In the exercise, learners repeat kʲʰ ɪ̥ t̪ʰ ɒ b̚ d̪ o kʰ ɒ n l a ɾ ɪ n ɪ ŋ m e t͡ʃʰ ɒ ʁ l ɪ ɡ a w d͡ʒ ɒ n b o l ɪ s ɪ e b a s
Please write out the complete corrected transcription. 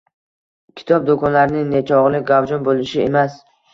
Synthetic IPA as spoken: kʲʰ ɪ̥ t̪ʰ ɒ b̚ d̪ o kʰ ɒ n l a ɾ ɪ n ɪ ŋ n e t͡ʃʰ ɒ ʁ l ɪ ɡ a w d͡ʒ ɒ n b o l ɪ ʃ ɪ e m a s